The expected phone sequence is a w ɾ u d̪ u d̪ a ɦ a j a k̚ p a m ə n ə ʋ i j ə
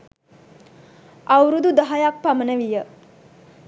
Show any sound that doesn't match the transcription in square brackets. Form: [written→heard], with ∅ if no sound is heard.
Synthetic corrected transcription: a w ɾ u d̪ u d̪ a ɦ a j a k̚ p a m ə n ə ʋ i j ə